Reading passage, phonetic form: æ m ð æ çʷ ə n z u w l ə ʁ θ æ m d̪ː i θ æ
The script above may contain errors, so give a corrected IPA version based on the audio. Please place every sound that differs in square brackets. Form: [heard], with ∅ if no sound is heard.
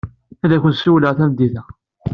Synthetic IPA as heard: æ [∅] ð æ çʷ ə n [s] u w l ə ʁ θ æ m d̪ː i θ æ